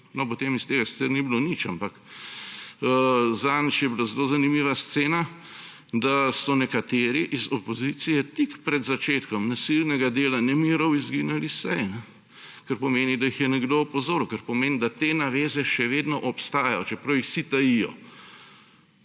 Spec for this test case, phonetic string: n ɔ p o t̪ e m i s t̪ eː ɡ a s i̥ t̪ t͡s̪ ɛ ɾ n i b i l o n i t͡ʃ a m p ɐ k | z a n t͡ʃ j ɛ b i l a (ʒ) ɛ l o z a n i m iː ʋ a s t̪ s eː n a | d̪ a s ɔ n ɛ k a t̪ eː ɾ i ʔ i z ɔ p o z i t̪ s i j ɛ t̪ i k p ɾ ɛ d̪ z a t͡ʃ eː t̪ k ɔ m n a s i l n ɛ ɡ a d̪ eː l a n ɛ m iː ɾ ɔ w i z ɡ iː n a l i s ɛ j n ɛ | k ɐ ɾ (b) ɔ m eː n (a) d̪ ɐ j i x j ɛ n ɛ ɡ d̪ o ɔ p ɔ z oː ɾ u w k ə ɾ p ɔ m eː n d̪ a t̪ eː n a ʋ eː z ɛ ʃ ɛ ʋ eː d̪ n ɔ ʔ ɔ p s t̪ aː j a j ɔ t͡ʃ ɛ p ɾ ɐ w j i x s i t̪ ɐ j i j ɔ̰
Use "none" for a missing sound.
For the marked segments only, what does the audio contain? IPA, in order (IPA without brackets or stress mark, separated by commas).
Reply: z, p, i